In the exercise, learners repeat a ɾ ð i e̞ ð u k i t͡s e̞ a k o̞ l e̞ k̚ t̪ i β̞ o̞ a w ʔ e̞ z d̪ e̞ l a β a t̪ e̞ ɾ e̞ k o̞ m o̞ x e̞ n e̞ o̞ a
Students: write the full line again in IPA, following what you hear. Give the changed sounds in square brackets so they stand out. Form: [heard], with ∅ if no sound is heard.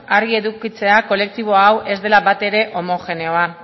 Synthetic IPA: a ɾ [ɣ] i e̞ ð u k i t͡s e̞ a k o̞ l e̞ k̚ t̪ i β̞ o̞ a w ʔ e̞ z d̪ e̞ l a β a t̪ e̞ ɾ e̞ [ʔ] o̞ m o̞ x e̞ n e̞ o̞ a